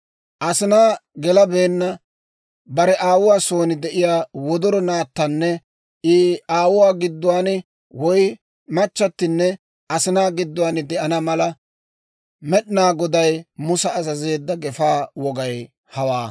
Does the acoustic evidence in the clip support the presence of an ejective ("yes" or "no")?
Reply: no